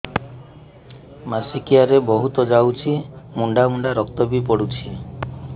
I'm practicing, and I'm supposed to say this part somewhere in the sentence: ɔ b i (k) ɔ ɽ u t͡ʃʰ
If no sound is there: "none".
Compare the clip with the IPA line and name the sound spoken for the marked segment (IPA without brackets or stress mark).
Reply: p